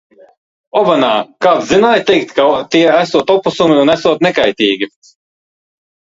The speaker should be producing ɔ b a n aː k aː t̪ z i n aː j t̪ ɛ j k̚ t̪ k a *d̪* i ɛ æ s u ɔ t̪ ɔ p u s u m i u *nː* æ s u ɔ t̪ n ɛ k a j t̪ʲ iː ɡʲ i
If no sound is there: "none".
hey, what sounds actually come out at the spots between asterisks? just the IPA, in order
t̪, n

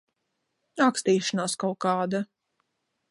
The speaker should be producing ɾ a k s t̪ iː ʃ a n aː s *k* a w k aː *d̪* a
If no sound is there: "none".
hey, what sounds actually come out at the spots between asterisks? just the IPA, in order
k, d̪

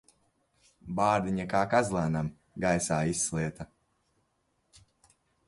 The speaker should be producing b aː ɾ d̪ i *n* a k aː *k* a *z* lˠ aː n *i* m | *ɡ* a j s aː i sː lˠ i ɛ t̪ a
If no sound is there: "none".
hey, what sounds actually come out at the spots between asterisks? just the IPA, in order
ɲ, k, z, a, ɡ

